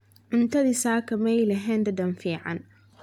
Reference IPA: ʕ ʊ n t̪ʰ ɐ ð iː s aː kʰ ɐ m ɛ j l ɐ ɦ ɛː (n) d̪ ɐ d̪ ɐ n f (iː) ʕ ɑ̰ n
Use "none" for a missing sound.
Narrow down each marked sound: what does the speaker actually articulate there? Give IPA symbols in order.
n, iː

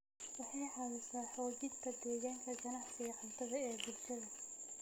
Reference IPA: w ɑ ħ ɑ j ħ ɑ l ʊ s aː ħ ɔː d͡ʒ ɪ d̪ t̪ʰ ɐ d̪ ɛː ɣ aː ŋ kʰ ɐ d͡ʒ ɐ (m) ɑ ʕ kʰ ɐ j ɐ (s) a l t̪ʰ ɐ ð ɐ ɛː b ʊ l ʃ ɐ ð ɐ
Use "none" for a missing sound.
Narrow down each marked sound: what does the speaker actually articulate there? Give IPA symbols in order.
n, ħ

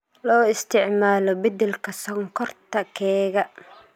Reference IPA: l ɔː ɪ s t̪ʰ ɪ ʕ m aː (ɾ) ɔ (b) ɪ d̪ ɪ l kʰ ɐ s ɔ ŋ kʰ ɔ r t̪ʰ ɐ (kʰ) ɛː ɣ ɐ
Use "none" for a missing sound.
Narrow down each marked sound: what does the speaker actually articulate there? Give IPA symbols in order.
l, b, kʰ

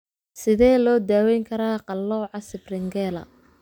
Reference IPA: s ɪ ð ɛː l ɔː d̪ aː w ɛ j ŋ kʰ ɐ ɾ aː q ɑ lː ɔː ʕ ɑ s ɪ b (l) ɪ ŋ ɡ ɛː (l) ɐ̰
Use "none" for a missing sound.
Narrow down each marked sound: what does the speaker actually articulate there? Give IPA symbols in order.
r, l

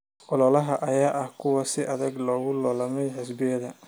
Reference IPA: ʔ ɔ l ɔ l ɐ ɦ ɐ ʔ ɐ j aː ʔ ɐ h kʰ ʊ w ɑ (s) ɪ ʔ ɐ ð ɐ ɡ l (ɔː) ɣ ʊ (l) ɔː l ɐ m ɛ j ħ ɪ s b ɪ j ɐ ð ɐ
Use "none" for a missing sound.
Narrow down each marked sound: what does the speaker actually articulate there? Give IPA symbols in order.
s, ɔː, l

